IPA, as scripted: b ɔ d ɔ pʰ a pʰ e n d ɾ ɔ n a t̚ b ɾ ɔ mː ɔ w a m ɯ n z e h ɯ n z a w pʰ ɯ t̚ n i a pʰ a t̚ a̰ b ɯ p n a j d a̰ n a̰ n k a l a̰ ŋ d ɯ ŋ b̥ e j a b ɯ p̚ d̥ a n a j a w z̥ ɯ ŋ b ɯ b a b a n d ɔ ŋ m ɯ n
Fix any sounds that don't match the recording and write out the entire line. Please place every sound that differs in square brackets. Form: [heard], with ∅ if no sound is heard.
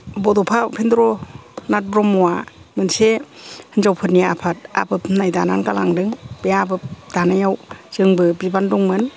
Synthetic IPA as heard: b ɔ d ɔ pʰ a pʰ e n d ɾ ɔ n a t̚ b ɾ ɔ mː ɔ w a m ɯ n [s] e h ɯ n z a w pʰ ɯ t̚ n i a pʰ a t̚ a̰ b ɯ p n a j d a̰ n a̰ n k a l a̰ ŋ d ɯ ŋ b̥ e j a b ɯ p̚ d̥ a n a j a w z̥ ɯ ŋ b ɯ b [i] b a n d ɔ ŋ m ɯ n